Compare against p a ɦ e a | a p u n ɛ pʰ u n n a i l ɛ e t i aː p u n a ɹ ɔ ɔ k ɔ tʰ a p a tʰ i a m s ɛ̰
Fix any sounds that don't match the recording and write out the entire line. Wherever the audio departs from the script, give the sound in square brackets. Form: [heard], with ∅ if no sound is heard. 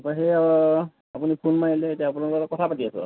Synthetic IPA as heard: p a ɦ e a | a p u n [i] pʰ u n [m] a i l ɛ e t i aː p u n a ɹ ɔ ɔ k ɔ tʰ a p a [t] i a [∅] s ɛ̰